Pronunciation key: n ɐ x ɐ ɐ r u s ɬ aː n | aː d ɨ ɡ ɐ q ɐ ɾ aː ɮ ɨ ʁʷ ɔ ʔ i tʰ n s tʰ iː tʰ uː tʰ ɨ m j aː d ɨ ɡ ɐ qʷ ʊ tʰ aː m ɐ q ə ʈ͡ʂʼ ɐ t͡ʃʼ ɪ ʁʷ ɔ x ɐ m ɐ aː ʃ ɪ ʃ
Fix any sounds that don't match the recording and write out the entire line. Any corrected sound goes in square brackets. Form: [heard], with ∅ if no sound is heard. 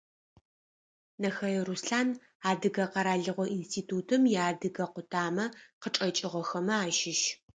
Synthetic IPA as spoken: n ɐ x ɐ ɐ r u s ɬ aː n | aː d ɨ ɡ ɐ q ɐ ɾ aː ɮ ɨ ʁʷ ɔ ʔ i [∅] n s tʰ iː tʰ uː tʰ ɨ m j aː d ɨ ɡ ɐ qʷ ʊ tʰ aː m ɐ q ə ʈ͡ʂʼ ɐ t͡ʃʼ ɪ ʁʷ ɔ x ɐ m ɐ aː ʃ ɪ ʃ